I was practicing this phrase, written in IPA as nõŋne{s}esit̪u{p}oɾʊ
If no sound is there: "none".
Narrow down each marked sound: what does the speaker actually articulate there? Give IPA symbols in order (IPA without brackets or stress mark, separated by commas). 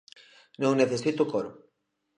θ, k